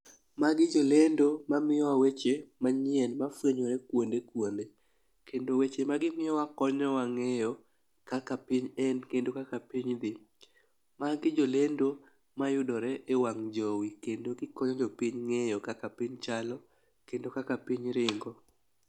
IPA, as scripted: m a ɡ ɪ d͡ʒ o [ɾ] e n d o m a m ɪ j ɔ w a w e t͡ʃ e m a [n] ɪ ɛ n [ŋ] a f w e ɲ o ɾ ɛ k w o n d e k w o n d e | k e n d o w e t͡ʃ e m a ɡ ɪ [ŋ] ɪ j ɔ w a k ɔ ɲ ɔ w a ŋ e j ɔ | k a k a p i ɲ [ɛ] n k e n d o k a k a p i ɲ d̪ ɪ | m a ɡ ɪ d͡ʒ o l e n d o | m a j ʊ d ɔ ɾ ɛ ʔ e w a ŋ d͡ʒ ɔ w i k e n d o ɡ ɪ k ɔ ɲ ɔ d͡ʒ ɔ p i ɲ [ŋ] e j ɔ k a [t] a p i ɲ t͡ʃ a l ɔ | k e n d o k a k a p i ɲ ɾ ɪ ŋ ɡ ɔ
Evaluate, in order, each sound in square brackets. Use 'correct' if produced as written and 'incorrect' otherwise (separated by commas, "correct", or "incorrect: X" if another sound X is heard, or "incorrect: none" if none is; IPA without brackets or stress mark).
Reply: incorrect: l, incorrect: ɲ, incorrect: m, incorrect: m, correct, correct, incorrect: k